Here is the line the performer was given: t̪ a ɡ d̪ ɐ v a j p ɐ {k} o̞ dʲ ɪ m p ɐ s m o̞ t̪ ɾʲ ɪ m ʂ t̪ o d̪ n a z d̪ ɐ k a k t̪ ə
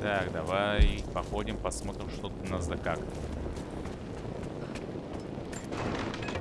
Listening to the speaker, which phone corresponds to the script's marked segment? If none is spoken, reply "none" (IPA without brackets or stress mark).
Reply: x